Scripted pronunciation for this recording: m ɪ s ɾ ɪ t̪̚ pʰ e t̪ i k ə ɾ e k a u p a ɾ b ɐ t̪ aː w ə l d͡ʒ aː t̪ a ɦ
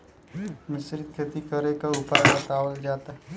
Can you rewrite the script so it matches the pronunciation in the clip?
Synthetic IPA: m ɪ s ɾ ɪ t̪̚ kʰ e t̪ i k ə ɾ e k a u p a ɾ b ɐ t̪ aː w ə l d͡ʒ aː t̪ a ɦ